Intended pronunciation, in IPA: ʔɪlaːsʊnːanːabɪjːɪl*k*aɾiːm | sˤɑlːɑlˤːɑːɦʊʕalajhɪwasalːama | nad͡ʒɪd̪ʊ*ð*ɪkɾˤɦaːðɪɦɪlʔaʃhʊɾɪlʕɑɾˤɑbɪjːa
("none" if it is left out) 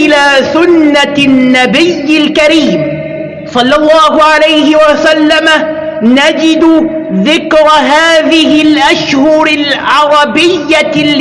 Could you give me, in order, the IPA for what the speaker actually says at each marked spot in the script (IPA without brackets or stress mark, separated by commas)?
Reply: k, ð